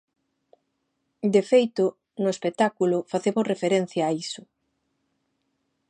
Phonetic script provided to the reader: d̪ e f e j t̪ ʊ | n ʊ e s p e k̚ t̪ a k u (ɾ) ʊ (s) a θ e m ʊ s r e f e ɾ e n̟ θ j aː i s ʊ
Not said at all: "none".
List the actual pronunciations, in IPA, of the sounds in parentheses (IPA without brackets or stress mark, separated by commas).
l, f